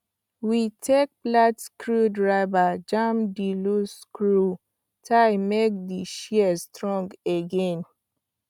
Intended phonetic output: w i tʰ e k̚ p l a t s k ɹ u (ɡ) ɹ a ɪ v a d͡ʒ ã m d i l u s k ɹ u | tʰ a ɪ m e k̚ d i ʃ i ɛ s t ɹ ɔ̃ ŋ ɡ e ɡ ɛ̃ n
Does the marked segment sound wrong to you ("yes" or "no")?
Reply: yes